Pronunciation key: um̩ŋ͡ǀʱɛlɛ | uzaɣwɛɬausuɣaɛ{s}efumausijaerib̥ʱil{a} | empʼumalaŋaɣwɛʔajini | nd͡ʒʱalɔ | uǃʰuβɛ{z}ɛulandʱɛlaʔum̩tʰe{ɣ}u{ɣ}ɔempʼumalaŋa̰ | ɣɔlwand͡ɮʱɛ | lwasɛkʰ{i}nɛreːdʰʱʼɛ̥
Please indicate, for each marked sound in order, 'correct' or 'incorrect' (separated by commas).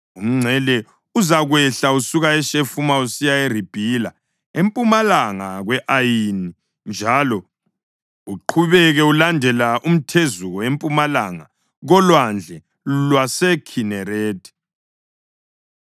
incorrect, correct, incorrect, incorrect, correct, correct